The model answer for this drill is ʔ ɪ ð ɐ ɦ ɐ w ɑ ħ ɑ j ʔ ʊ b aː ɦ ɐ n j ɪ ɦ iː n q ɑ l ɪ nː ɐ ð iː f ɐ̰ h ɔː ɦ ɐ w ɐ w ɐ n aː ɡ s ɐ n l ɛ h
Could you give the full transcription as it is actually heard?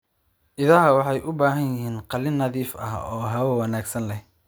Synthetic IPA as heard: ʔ ɪ ð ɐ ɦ ɐ w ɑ ħ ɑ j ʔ ʊ b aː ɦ ɐ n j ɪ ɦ iː n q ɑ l ɪ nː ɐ ð iː f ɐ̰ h ɔː ɦ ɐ w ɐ w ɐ n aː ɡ s ɐ n l ɛ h